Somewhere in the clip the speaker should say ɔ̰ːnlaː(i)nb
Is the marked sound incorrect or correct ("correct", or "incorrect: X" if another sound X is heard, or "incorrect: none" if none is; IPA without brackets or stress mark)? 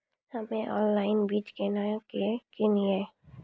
incorrect: ɪ